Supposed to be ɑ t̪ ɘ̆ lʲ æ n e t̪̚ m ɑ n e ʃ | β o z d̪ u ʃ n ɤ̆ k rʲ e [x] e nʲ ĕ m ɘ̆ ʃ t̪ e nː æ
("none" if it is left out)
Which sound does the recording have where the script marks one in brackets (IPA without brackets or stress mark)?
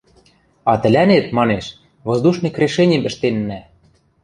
ʃ